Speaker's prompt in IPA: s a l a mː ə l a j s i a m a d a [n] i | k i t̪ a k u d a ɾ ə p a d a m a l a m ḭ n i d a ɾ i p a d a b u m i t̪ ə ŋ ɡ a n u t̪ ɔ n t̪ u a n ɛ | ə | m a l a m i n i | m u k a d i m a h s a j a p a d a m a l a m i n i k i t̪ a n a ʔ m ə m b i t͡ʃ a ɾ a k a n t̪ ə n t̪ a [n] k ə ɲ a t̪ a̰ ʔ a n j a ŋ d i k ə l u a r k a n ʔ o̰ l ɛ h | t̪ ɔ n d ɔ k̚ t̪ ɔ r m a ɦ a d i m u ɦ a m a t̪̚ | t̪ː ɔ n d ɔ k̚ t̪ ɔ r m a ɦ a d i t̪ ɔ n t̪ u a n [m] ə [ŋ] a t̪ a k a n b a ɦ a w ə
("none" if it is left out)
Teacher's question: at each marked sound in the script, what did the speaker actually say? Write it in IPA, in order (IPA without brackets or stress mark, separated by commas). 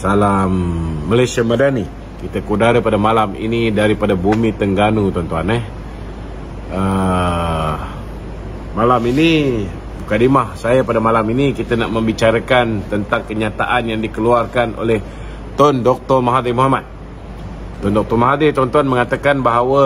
n, ŋ, m, ŋ